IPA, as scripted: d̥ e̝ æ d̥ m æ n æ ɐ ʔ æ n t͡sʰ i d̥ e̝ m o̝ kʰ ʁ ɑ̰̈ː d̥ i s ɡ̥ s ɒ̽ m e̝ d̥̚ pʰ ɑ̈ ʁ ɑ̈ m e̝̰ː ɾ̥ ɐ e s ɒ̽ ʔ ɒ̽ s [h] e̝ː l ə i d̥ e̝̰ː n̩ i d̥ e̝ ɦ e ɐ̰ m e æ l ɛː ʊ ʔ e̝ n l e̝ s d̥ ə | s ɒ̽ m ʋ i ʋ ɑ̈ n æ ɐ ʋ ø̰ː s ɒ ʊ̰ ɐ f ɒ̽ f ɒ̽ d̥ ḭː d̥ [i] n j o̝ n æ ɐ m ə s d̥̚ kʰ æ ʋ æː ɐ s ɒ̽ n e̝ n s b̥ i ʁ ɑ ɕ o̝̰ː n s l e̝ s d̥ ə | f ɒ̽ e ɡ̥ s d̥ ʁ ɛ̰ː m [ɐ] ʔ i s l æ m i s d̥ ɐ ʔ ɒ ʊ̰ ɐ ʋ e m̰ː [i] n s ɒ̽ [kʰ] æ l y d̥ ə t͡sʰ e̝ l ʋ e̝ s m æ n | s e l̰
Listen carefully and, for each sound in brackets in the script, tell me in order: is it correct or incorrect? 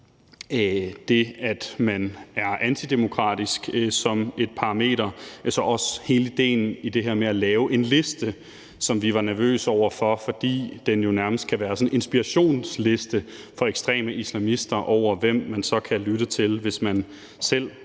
correct, incorrect: e, incorrect: ə, incorrect: æ, correct

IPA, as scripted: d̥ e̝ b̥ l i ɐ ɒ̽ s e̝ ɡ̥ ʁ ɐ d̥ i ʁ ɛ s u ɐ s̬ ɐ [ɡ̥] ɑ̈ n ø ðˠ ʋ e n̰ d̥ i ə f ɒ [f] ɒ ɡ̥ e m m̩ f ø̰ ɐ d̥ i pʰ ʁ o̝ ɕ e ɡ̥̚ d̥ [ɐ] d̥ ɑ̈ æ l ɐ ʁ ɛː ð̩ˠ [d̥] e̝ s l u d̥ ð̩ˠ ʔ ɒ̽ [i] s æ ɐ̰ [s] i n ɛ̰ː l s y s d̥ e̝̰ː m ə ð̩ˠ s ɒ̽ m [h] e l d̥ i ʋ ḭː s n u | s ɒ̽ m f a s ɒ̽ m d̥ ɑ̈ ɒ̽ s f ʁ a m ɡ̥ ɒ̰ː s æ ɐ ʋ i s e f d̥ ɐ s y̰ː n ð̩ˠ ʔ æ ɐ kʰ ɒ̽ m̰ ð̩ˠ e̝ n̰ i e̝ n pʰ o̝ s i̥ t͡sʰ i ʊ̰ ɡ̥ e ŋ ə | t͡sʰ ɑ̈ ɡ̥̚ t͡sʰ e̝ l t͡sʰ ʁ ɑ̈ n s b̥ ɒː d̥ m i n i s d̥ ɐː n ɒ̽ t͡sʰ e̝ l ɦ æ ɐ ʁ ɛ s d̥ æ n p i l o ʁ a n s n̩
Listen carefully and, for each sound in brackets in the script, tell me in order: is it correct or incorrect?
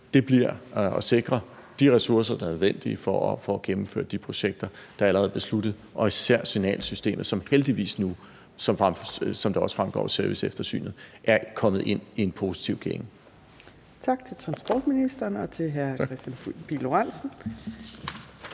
incorrect: d̥, correct, correct, incorrect: b̥, correct, correct, correct

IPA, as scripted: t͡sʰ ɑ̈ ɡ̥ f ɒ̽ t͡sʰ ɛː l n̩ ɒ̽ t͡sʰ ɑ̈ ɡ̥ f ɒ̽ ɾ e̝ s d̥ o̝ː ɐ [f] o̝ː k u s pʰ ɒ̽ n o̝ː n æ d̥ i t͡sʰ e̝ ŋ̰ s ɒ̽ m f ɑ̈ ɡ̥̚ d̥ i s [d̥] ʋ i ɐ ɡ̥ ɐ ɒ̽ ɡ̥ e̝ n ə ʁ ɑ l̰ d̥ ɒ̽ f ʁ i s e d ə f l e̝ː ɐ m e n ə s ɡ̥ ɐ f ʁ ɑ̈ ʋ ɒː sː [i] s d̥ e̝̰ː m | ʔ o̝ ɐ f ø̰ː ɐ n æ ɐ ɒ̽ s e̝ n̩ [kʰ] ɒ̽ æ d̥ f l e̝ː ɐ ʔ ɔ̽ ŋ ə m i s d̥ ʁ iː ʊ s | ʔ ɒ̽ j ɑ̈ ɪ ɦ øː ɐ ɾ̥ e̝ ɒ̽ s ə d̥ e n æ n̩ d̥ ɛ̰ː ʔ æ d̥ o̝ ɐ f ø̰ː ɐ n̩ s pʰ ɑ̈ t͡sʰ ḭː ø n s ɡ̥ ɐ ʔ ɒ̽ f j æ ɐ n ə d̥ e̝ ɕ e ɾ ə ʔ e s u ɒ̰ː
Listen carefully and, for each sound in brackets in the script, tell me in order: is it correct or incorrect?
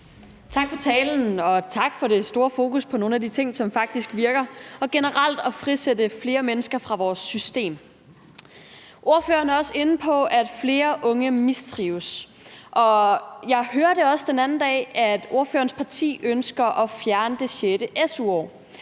correct, incorrect: ɡ̥, incorrect: y, incorrect: pʰ

